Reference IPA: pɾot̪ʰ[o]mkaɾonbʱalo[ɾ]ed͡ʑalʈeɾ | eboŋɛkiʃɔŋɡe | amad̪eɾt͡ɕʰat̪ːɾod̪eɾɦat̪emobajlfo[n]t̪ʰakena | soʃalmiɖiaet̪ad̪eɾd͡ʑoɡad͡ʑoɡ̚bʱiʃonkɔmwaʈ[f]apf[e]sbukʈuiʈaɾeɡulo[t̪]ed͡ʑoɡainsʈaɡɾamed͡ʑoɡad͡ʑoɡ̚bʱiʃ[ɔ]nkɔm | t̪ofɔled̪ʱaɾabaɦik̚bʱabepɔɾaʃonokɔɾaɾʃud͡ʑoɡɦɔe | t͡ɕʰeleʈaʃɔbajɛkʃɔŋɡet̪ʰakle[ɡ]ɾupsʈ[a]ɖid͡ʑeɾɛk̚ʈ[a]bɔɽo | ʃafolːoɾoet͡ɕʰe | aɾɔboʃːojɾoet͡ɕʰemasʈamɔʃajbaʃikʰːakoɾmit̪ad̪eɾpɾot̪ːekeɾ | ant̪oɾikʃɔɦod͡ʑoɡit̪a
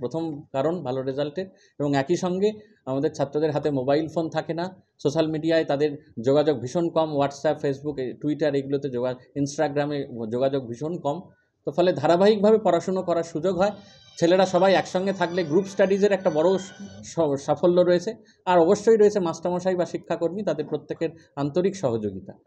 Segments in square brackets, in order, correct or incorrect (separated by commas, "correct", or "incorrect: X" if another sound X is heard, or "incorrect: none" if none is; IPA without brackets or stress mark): correct, correct, correct, incorrect: s, correct, correct, incorrect: o, correct, correct, correct